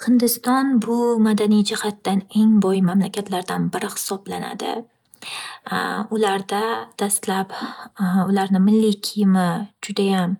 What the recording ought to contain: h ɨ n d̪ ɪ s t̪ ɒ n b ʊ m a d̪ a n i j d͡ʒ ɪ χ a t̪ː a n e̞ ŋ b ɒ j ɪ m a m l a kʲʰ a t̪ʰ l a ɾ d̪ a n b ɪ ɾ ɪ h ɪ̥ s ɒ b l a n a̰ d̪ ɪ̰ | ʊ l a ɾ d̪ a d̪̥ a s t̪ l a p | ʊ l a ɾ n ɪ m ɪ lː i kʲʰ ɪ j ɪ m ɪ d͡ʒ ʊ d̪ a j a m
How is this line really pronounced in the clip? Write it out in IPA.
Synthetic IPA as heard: h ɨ n d̪ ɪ s t̪ ɒ n b ʊ m a d̪ a n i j d͡ʒ ɪ h a t̪ː a n e̞ ŋ b ɒ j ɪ m a m l a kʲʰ a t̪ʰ l a ɾ d̪ a n b ɪ ɾ ɪ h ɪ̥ s ɒ b l a n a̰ d̪ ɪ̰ | ʊ l a ɾ d̪ a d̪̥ a s t̪ l a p | ʊ l a ɾ n ɪ m ɪ lː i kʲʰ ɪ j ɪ m ɪ d͡ʒ ʊ d̪ a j a m